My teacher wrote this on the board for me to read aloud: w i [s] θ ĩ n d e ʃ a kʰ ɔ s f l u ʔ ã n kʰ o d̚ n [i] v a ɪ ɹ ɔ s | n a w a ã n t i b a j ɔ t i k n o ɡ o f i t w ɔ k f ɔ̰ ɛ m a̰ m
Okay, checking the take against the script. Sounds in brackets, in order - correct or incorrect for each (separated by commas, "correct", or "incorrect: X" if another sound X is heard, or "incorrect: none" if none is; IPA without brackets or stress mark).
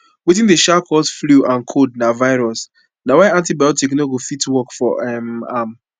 incorrect: none, incorrect: a